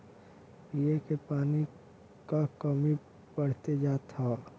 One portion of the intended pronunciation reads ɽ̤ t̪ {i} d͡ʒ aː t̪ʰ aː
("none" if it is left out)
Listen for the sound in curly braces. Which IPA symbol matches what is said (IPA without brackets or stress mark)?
e